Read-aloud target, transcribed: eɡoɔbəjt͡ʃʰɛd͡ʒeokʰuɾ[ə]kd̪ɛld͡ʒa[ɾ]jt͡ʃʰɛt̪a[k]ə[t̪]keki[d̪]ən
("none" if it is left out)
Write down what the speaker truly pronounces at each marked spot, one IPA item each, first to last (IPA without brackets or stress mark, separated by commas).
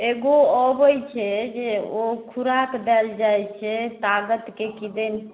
a, none, ɡ, t̪, d̪